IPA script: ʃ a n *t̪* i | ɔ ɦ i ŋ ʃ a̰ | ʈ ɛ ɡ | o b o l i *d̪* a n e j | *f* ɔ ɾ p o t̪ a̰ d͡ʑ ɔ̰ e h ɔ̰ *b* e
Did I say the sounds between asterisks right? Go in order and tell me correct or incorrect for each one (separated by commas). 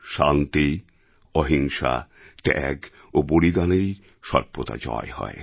correct, correct, incorrect, incorrect